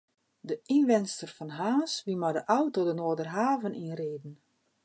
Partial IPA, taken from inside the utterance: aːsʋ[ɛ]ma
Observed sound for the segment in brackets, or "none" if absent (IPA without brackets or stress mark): i